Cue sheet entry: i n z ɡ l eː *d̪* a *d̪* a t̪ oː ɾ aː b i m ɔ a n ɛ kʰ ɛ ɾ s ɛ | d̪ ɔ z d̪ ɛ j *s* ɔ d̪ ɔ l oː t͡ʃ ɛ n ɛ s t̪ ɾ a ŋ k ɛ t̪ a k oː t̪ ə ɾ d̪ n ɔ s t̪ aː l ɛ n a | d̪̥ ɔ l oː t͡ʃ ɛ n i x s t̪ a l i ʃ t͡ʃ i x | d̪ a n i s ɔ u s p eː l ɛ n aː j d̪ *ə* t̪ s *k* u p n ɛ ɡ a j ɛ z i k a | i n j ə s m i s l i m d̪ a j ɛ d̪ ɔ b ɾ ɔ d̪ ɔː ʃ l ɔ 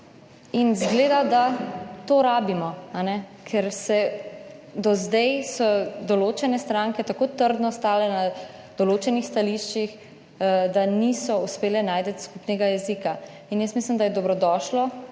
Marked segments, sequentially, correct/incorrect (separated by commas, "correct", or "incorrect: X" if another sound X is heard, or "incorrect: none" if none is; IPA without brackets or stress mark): correct, correct, correct, correct, correct